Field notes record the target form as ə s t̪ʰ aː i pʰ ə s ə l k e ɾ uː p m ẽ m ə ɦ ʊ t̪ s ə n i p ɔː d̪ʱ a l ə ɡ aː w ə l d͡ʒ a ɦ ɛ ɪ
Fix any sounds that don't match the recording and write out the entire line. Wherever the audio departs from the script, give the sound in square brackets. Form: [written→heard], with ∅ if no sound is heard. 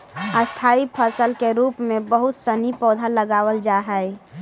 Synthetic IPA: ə s t̪ʰ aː i pʰ ə s ə l k e ɾ uː p m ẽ [m→b] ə ɦ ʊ t̪ s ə n i p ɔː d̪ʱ a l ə ɡ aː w ə l d͡ʒ a ɦ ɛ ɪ